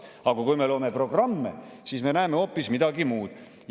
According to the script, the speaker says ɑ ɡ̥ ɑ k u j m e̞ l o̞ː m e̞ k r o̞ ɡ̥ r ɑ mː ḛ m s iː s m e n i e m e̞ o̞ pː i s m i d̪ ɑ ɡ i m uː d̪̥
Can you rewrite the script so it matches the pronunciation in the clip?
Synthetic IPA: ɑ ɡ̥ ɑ k u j m e̞ l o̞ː m e̞ p r o̞ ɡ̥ r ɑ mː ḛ s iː s m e n æ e m e̞ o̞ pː i s m i d̪ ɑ ɡ i m uː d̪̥